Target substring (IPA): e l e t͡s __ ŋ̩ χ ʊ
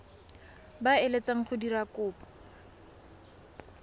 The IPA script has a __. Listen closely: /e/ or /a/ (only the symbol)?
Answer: a